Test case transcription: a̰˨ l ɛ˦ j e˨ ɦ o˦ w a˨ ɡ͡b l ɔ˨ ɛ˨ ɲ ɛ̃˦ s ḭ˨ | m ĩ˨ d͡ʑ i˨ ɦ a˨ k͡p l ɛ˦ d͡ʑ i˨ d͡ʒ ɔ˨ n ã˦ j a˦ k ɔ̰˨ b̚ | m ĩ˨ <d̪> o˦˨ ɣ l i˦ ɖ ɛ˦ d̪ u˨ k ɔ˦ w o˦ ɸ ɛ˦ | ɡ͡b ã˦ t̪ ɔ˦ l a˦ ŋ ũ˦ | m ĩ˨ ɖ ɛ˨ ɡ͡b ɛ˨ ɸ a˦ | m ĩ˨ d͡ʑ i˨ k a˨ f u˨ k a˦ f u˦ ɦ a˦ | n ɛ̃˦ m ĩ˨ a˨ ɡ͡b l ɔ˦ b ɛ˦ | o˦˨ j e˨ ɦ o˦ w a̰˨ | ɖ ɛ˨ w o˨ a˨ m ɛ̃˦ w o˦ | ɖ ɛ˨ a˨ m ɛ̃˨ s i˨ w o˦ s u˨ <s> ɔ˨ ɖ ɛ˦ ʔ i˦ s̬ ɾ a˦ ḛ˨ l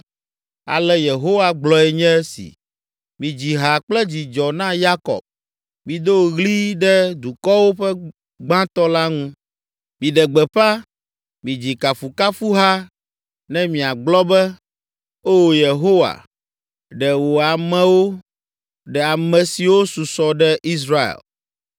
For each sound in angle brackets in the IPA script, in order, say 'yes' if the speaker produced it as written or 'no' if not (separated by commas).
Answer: yes, yes